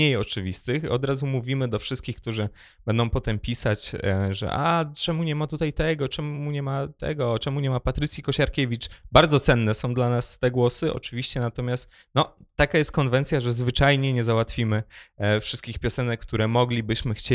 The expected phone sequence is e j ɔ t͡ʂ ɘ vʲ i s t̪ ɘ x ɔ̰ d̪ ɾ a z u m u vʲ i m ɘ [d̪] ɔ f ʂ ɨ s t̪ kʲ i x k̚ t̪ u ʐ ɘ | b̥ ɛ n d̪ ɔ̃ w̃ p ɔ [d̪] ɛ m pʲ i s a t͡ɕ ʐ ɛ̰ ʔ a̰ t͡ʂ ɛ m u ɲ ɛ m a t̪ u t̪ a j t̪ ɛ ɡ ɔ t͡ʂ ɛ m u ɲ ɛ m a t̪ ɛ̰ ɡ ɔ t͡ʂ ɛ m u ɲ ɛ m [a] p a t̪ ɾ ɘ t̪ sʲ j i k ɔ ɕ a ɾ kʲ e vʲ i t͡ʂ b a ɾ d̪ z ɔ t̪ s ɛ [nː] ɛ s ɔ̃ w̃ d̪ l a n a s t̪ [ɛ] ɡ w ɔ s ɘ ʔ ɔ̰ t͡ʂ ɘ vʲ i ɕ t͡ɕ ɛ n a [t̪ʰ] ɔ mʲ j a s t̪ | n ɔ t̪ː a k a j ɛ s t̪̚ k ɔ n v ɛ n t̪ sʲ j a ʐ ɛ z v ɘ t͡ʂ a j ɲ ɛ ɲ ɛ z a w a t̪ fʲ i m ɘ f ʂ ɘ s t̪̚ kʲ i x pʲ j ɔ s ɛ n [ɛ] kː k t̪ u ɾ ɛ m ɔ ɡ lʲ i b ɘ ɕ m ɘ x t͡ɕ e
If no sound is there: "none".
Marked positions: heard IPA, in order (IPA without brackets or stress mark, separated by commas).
d̪, t̪, a, nː, ɛ, t̪, ɛ